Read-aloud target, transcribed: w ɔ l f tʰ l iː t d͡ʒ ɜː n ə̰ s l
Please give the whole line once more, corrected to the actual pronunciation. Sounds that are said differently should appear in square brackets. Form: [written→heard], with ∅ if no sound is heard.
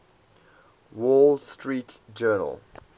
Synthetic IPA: w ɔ l [f→s] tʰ [l→ɹ] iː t d͡ʒ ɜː n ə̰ [s→∅] l